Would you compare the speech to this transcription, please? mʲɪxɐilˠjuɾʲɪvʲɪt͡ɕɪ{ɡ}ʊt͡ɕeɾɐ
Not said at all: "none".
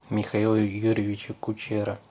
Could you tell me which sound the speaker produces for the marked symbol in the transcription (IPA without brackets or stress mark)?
k